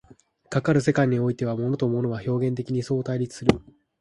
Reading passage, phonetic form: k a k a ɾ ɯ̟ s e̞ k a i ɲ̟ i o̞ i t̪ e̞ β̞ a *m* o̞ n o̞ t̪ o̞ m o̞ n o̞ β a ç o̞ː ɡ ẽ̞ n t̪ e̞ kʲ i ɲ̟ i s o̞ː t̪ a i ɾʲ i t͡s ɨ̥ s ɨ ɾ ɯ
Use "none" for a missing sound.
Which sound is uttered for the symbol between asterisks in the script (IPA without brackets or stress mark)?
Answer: m